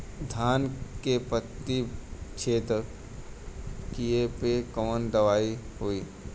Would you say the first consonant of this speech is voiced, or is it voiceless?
voiced